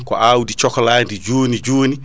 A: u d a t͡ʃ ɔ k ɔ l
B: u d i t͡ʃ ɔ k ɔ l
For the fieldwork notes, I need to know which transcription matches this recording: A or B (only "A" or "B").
B